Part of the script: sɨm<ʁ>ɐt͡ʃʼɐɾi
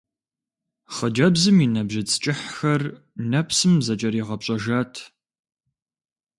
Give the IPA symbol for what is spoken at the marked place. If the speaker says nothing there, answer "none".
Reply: z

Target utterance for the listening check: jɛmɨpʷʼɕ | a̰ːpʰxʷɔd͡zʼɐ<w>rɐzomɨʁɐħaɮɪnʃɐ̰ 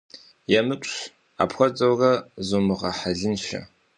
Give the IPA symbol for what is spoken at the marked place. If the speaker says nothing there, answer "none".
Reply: w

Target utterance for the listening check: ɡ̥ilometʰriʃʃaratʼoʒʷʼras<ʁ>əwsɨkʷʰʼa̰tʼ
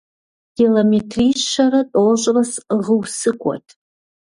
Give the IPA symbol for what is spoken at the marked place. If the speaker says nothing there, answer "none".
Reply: ʁ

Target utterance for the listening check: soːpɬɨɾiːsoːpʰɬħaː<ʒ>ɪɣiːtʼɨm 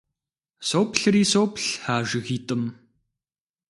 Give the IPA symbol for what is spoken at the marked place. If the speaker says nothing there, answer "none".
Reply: ʒ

